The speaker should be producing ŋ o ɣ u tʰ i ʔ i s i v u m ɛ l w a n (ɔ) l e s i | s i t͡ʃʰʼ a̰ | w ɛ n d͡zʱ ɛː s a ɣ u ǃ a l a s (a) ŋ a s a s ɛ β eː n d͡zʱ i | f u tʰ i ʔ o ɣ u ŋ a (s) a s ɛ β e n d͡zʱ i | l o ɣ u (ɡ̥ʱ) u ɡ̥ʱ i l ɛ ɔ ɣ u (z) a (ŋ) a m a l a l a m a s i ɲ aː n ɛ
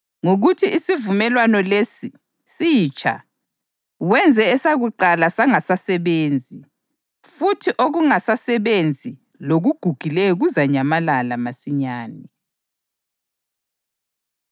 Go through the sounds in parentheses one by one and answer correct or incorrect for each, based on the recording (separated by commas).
correct, correct, correct, correct, correct, incorrect